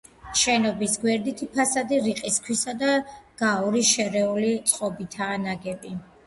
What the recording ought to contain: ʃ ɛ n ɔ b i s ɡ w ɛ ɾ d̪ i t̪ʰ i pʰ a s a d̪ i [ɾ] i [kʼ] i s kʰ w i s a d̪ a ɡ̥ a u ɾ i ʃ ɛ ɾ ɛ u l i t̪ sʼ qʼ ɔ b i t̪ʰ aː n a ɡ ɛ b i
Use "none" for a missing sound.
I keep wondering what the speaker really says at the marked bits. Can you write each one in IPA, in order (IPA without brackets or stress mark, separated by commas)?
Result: ɾ, qʼ